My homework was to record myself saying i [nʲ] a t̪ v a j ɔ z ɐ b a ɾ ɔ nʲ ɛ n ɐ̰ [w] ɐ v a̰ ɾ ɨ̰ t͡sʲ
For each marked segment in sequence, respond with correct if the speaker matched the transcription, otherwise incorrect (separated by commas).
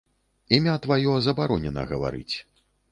incorrect, incorrect